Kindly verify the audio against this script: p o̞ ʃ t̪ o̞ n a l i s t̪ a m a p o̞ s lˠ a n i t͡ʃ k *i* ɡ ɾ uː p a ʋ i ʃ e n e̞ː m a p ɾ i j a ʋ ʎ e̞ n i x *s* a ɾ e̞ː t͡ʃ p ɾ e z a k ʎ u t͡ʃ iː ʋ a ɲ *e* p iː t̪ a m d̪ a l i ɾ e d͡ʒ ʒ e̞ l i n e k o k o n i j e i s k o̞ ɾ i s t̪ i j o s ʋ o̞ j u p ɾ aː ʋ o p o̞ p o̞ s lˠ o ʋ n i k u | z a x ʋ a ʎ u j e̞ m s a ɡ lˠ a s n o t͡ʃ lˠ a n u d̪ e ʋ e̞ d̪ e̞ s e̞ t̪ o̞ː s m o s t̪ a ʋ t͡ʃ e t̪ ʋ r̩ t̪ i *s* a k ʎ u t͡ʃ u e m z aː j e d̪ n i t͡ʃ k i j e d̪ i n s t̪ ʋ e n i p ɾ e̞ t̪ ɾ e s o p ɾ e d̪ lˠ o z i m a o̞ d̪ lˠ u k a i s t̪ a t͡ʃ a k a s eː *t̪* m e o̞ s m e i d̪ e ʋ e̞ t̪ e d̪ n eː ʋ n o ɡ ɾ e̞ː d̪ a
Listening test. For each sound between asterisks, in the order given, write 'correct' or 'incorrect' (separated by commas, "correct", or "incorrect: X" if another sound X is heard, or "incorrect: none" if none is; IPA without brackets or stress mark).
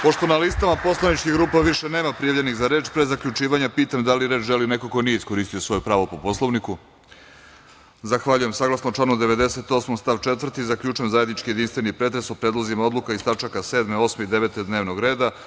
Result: correct, incorrect: z, incorrect: a, incorrect: z, incorrect: d̪